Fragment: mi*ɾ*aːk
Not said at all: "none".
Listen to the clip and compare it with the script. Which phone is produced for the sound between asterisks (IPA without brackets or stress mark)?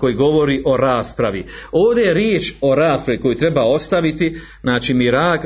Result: ɾ